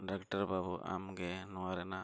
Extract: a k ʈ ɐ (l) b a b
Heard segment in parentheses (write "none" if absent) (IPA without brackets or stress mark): ɾ